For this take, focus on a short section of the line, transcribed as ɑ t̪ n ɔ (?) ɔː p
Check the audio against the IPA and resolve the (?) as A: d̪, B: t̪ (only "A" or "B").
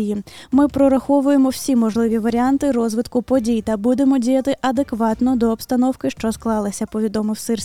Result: A